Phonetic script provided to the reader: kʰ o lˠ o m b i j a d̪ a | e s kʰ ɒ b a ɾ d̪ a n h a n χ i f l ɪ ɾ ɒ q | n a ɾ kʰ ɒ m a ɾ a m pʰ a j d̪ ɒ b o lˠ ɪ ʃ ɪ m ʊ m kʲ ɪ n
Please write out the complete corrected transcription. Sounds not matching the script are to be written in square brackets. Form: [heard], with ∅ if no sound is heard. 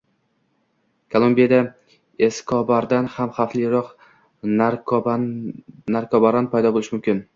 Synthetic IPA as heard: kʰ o lˠ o m b i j a d̪ a | e s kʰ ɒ b a ɾ d̪ a n h a [m] χ [a] f l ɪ ɾ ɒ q | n a ɾ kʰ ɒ [b] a ɾ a [n] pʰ a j d̪ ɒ b o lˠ ɪ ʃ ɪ m ʊ m kʲ ɪ n

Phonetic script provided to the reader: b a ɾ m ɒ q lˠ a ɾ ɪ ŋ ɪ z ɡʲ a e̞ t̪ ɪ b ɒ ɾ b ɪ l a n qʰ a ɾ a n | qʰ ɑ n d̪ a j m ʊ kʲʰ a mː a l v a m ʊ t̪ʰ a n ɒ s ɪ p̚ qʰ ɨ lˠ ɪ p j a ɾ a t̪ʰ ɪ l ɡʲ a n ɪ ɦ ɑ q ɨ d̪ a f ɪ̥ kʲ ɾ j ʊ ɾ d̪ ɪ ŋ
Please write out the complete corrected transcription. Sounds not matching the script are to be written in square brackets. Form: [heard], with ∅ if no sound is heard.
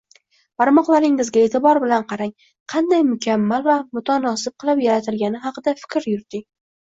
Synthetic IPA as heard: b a ɾ m ɒ q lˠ a ɾ ɪ ŋ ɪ z ɡʲ a e̞ t̪ ɪ b ɒ ɾ b ɪ l a n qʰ [ɑ] ɾ a [ŋ] | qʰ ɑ n d̪ a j m ʊ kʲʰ a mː a l v a m ʊ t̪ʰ a n ɒ s ɪ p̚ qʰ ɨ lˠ ɪ p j a ɾ a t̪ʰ ɪ l ɡʲ a n ɪ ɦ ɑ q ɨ d̪ a f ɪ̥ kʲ ɾ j ʊ ɾ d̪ ɪ ŋ

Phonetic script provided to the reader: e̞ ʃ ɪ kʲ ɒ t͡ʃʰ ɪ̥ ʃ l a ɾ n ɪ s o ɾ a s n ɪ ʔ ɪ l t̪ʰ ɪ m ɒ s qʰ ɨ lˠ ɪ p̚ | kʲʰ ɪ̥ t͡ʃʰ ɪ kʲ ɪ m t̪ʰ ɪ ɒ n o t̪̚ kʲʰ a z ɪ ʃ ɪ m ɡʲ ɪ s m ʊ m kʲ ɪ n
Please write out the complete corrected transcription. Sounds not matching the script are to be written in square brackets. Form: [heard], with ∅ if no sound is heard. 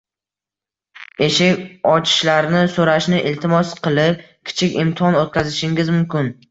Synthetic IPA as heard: e̞ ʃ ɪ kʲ ɒ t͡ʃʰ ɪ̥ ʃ l a ɾ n ɪ s o ɾ a [ʃ] n ɪ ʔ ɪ l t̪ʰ ɪ m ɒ s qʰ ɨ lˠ ɪ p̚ | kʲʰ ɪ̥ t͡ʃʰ ɪ kʲ ɪ m t̪ʰ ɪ ɒ n o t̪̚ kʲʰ a z ɪ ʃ ɪ [ŋ] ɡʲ ɪ [z] m ʊ m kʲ ɪ n

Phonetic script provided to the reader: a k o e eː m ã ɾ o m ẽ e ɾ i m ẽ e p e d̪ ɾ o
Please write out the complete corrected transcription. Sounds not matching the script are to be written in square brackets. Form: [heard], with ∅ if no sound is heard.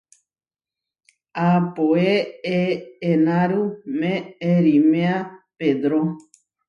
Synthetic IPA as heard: a [p] o e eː [n] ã ɾ [u] m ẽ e ɾ i m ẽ [a] p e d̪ ɾ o

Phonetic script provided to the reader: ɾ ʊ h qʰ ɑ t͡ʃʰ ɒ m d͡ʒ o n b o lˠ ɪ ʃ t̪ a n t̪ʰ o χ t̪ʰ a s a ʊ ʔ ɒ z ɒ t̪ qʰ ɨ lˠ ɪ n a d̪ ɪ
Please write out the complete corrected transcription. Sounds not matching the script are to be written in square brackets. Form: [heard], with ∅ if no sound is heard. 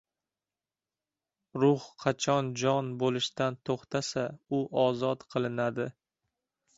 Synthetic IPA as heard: ɾ ʊ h qʰ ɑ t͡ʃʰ ɒ [n] d͡ʒ [ɒ] n b o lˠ ɪ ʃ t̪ a n t̪ʰ o χ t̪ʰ a s a ʊ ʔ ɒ z ɒ t̪ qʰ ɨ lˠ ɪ n a d̪ ɪ

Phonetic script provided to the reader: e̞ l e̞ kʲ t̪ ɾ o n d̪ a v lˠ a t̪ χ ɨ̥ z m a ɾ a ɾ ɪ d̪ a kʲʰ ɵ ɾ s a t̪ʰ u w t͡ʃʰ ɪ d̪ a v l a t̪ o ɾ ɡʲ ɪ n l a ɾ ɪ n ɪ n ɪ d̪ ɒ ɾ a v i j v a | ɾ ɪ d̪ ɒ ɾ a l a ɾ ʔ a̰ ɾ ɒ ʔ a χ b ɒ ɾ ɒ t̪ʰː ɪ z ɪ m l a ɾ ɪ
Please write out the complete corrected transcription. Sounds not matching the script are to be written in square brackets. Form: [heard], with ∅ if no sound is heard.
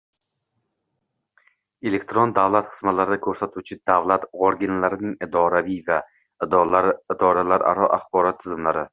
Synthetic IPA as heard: e̞ l e̞ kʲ t̪ ɾ o n d̪ a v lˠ a t̪ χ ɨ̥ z m a [l] a ɾ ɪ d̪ a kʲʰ ɵ ɾ s a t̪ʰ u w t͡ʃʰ ɪ d̪ a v l a t̪ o ɾ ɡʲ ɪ n l a ɾ ɪ n ɪ [ŋ] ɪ d̪ ɒ ɾ a v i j v a | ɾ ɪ d̪ ɒ ɾ a l a ɾ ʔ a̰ ɾ ɒ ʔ a χ b ɒ ɾ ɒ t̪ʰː ɪ z ɪ m l a ɾ ɪ

